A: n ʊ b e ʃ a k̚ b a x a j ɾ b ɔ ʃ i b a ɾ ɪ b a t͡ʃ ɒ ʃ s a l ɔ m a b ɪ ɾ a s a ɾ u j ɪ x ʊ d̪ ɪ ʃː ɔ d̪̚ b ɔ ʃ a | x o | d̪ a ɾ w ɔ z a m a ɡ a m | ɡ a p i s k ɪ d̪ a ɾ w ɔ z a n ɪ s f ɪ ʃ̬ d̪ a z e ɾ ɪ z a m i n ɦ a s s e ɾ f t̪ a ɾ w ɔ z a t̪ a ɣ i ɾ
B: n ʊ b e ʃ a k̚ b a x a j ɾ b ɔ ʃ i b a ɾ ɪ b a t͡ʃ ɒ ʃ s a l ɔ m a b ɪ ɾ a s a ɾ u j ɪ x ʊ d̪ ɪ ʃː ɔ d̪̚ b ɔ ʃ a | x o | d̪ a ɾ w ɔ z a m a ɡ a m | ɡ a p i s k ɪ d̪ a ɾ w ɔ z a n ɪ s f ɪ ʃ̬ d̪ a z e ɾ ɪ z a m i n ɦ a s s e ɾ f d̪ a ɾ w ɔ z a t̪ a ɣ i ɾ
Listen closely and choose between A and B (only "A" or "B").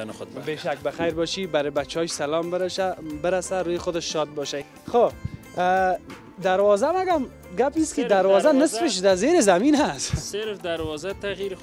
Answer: B